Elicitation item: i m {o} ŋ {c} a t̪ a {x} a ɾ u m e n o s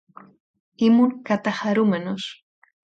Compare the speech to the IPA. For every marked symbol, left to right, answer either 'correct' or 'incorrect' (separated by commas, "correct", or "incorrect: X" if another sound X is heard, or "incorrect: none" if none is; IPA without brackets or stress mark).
incorrect: u, incorrect: k, correct